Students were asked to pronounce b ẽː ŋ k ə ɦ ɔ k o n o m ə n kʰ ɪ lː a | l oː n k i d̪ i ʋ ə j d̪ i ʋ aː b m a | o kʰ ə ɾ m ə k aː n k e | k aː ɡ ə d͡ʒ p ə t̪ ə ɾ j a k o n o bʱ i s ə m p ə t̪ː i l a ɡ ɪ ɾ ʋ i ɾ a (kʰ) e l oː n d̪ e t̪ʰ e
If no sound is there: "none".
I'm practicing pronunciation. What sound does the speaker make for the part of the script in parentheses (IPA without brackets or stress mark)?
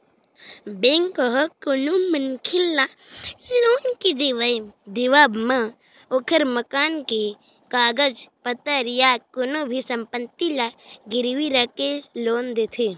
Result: k